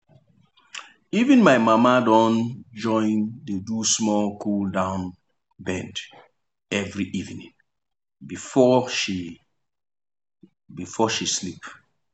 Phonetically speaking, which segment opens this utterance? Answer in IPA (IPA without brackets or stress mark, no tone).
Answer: i